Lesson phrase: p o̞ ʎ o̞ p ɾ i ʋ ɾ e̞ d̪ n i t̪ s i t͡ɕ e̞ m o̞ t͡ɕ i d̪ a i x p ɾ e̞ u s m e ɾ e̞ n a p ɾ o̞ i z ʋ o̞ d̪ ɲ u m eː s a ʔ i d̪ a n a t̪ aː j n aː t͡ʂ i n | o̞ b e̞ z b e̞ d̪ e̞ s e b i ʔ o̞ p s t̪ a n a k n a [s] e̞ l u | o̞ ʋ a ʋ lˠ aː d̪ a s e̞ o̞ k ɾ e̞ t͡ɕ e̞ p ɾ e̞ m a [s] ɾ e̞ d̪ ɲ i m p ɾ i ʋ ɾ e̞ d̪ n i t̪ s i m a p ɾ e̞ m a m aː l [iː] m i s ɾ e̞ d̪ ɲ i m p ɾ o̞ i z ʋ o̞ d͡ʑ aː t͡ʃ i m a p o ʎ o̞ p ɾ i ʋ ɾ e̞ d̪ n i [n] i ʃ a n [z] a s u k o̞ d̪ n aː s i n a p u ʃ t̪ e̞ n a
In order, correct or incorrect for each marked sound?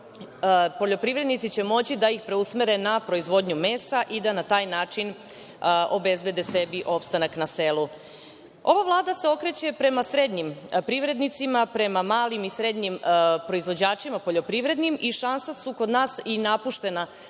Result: correct, correct, incorrect: i, incorrect: m, incorrect: s

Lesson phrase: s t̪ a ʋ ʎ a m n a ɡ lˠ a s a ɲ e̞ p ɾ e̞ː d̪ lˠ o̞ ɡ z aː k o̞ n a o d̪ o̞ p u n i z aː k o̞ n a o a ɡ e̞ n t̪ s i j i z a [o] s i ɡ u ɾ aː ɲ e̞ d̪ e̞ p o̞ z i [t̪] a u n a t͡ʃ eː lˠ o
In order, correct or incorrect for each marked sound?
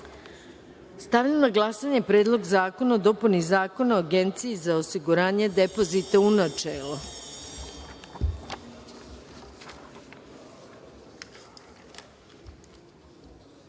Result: correct, correct

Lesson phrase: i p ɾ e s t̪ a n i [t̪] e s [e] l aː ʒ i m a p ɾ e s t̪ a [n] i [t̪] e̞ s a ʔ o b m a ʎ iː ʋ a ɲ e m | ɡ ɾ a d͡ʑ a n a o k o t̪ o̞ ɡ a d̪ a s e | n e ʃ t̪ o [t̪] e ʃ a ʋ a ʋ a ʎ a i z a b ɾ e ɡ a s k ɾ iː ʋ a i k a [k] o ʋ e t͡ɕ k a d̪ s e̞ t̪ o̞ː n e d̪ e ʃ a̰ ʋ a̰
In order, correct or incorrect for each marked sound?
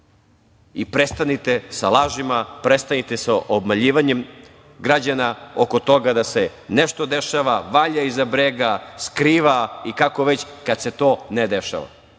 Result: correct, incorrect: a, correct, correct, incorrect: d̪, correct

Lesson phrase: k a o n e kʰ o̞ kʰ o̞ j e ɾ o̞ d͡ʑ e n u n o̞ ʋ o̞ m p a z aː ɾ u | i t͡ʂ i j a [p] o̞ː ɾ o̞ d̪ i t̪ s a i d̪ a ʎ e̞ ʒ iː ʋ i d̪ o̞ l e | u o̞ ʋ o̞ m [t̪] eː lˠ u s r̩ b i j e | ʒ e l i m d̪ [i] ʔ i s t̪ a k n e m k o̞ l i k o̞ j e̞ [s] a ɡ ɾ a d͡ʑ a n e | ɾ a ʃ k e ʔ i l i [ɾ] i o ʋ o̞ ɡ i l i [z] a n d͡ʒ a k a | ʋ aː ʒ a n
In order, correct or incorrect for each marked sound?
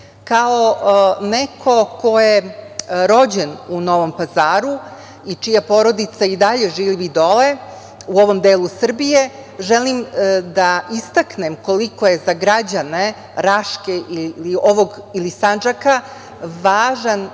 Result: correct, incorrect: d̪, incorrect: a, incorrect: z, incorrect: l, incorrect: s

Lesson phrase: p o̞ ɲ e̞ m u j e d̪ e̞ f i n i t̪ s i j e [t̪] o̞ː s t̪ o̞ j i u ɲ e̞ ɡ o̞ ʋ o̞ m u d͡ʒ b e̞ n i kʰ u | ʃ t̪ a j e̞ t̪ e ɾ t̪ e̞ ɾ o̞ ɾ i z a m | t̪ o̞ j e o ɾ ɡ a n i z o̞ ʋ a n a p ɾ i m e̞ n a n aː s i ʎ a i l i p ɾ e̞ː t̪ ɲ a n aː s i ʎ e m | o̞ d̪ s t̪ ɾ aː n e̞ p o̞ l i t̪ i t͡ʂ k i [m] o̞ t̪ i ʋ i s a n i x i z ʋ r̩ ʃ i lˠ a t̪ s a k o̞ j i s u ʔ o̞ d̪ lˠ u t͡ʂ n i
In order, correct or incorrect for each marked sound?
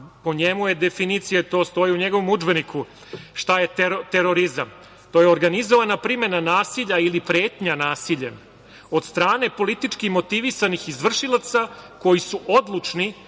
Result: correct, correct

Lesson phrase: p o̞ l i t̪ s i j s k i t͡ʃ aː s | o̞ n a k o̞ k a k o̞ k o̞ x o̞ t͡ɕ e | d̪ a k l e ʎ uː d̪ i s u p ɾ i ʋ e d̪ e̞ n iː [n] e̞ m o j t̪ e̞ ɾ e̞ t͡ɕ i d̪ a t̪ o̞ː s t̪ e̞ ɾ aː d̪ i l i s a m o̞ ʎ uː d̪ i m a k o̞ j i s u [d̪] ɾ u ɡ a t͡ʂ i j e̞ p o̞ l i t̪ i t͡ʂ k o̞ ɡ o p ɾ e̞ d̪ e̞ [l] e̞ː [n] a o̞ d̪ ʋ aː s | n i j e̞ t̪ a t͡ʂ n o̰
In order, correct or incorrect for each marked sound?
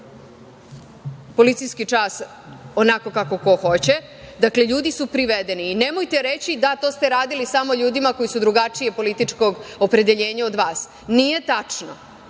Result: correct, correct, incorrect: ʎ, incorrect: ɲ

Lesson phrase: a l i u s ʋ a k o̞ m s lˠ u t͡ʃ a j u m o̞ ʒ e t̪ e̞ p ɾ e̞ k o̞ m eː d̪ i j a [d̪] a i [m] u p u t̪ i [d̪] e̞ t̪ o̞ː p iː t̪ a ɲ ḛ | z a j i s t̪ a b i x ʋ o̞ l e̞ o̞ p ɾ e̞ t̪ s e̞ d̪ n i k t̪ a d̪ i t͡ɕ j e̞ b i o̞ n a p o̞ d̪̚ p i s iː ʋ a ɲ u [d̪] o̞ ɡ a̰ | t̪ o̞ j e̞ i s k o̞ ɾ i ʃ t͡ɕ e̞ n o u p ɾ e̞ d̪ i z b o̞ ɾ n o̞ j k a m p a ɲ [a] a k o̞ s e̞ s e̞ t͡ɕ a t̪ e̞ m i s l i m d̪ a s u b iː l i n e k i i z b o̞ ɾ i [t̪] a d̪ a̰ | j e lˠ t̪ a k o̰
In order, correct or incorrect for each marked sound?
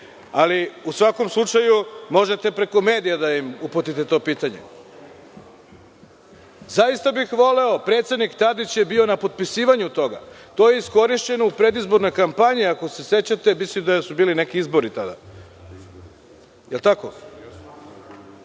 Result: correct, correct, incorrect: t̪, incorrect: t̪, incorrect: i, correct

